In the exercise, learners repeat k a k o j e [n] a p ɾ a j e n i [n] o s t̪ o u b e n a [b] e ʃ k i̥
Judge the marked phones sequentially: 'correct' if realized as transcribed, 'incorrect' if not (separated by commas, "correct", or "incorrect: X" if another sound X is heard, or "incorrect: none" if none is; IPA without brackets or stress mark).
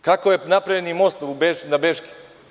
correct, incorrect: m, correct